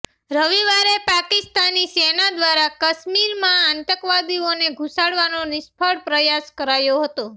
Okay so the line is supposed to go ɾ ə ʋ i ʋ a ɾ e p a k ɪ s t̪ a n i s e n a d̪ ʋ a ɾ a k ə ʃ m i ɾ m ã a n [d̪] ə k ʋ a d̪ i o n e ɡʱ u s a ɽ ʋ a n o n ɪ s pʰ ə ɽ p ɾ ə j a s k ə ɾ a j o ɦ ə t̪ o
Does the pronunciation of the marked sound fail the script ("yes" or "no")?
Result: yes